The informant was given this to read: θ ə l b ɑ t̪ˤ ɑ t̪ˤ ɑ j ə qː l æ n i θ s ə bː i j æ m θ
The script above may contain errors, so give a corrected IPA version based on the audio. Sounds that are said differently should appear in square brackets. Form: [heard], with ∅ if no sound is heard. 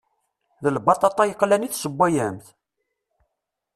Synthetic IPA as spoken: [ð] ə l b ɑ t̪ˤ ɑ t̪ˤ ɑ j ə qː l æ n i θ s ə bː [æ] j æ m θ